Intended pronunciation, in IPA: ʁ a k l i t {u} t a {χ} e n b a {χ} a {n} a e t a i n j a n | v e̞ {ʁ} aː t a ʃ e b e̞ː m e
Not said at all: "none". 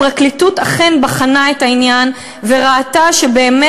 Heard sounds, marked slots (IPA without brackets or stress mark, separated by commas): u, χ, χ, n, ʁ